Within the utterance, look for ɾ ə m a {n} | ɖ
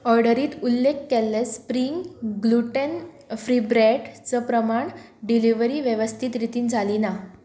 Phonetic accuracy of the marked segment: incorrect: ɳ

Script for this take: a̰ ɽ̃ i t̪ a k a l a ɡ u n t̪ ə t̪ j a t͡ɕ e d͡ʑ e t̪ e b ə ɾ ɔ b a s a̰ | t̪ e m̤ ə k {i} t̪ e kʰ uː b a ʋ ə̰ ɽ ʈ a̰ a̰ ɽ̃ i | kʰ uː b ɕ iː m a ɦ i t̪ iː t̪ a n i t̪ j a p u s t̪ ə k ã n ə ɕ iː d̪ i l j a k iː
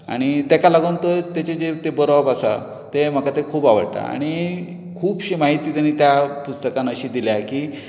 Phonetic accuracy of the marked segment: incorrect: a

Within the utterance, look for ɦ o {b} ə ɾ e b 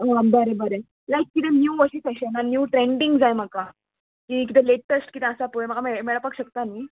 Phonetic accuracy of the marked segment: correct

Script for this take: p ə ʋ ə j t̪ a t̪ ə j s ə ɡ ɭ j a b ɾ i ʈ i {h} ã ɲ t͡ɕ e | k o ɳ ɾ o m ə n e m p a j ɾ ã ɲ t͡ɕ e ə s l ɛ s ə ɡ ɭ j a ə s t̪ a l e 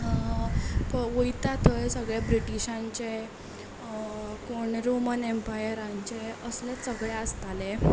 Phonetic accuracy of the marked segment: incorrect: ɕ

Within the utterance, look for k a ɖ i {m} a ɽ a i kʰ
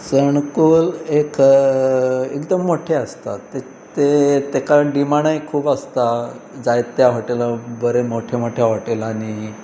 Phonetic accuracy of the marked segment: correct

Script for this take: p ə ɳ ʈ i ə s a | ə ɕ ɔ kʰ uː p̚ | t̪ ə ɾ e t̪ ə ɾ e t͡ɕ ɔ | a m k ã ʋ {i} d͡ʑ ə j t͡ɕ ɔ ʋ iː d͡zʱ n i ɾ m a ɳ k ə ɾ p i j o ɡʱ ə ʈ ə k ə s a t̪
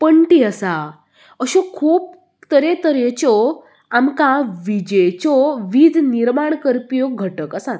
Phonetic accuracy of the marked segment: correct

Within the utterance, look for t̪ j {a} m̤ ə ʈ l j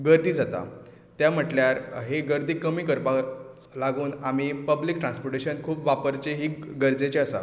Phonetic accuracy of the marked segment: correct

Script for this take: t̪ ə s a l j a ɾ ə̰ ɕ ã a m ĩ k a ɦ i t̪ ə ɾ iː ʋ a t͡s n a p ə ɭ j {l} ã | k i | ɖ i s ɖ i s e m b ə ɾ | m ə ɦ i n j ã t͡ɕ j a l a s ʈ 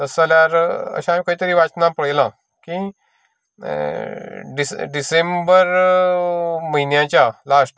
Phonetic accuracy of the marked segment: correct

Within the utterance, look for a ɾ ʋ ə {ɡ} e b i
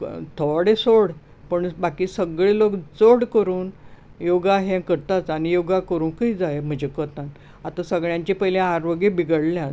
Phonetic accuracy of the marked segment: correct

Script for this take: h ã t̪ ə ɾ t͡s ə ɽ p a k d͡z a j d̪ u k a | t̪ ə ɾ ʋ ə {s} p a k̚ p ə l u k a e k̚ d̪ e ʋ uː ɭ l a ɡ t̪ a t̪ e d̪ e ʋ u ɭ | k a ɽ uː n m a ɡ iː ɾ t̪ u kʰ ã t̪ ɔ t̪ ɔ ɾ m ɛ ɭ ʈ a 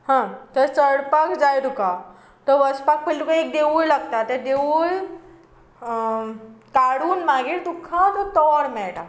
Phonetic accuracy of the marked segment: correct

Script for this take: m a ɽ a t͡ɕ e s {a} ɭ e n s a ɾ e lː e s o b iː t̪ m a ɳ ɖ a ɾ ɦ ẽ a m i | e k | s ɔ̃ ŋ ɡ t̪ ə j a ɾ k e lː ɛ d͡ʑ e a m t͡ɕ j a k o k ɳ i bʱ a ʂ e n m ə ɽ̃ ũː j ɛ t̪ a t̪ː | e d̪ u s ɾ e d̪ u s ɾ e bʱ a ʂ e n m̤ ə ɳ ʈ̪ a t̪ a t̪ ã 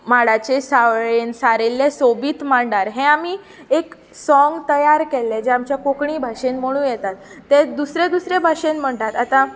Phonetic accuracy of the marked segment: correct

